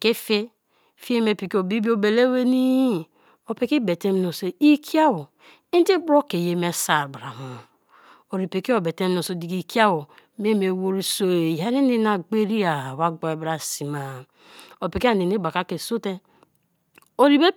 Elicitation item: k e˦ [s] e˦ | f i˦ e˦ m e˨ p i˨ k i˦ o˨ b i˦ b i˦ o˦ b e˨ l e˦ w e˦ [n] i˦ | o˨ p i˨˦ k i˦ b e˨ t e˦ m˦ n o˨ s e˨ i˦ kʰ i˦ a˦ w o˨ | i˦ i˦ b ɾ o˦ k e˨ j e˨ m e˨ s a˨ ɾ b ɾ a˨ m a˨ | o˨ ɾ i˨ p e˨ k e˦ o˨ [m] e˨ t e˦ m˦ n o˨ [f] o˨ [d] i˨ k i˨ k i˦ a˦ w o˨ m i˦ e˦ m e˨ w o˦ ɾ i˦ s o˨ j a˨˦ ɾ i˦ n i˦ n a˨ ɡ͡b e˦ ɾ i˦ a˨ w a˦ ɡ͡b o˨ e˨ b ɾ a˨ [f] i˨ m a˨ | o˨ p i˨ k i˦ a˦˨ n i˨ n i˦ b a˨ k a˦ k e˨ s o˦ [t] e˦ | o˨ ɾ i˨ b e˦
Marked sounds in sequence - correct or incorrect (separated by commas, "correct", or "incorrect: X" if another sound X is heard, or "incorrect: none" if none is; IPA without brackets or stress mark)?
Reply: incorrect: f, correct, incorrect: b, incorrect: s, correct, incorrect: s, correct